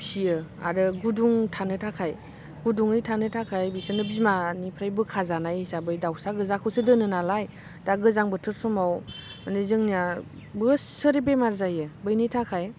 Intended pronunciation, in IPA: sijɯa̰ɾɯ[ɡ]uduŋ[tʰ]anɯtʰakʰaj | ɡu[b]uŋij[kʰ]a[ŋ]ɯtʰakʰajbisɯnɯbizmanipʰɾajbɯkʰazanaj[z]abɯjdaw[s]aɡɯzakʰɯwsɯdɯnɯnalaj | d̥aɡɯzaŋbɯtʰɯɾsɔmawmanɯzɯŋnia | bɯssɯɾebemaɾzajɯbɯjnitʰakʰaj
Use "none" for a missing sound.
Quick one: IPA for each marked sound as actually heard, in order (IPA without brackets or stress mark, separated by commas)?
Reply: ɡ, tʰ, d, tʰ, n, s, s